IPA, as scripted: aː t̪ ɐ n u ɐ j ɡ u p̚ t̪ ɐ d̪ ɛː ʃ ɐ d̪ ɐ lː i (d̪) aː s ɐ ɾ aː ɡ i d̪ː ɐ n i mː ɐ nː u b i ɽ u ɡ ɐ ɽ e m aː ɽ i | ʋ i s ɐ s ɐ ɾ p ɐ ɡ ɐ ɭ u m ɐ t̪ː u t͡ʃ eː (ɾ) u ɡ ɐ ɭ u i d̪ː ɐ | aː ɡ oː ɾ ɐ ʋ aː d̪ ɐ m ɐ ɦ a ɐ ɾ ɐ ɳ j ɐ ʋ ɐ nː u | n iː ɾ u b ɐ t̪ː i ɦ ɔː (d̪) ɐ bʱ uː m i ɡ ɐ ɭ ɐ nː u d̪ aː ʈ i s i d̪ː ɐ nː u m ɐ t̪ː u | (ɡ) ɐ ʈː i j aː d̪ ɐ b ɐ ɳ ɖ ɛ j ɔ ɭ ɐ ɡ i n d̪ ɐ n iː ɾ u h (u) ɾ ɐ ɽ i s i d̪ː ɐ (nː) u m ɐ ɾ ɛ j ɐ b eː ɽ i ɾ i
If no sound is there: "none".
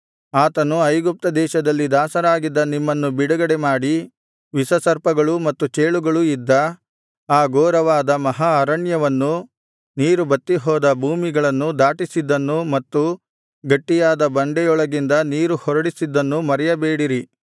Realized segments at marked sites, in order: d̪, ɭ, d̪, ɡ, ɔ, nː

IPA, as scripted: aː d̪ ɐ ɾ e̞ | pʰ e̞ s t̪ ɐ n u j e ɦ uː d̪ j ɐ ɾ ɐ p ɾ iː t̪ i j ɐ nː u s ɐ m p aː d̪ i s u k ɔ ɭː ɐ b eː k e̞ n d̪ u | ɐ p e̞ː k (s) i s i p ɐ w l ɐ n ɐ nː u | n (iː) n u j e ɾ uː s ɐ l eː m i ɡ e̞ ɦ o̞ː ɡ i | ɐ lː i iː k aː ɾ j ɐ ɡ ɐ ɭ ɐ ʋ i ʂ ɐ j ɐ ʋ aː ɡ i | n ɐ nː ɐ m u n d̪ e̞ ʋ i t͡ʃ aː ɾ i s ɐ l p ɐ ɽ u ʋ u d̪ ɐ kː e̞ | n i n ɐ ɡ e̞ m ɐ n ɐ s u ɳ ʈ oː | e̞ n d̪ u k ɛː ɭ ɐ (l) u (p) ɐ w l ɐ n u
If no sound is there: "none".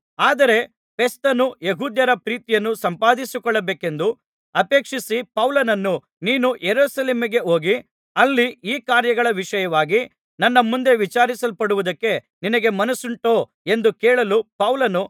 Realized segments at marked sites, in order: ʂ, iː, l, p

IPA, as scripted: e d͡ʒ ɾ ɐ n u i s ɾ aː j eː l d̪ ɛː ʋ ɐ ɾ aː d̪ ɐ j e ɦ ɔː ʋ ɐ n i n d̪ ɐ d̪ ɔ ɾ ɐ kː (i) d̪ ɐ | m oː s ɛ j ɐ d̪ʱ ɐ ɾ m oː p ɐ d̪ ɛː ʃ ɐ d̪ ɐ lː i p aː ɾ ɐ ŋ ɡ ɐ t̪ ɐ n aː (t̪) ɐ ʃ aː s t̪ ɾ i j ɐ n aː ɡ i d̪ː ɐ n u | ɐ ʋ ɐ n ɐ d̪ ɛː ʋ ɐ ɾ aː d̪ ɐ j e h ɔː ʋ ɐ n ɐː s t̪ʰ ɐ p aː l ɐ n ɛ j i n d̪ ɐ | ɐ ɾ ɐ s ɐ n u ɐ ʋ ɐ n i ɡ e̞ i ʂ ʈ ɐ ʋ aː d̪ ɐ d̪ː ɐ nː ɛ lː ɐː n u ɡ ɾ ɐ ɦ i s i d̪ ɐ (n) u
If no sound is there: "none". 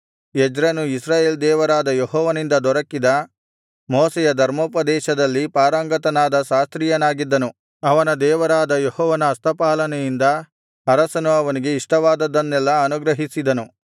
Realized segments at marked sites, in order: i, d̪, n

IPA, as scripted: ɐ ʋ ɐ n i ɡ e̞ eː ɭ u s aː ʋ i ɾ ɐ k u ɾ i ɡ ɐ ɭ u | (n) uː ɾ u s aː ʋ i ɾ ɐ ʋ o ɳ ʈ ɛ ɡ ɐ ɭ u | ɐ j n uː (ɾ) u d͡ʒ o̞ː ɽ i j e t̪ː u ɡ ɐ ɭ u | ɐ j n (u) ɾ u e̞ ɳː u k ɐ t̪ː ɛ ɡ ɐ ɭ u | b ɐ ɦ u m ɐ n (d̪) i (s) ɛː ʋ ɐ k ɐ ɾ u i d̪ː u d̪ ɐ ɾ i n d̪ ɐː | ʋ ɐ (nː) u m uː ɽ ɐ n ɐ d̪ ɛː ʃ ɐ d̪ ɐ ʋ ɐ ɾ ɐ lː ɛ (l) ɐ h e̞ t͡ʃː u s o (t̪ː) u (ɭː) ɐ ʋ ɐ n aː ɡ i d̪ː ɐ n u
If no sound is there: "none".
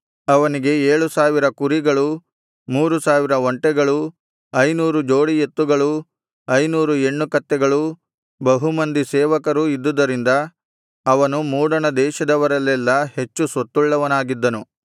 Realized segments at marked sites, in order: m, ɾ, uː, d̪, s, n, lː, t̪ː, ɭː

